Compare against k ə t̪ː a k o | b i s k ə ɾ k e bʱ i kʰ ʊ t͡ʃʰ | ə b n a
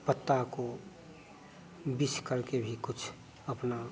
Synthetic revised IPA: p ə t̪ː a k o | b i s k ə ɾ k e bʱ i k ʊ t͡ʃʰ | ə p n a